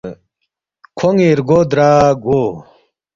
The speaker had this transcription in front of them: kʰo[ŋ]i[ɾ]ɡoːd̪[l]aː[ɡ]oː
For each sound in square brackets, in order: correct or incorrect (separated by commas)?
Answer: correct, correct, incorrect, correct